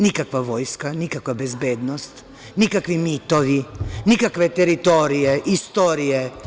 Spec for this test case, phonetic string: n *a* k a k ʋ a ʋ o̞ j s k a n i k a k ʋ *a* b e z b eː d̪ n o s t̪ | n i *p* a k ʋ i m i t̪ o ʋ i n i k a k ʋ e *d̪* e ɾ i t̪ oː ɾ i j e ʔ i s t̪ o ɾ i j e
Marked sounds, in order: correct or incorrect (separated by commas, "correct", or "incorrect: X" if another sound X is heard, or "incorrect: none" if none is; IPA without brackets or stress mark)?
incorrect: i, correct, incorrect: k, incorrect: t̪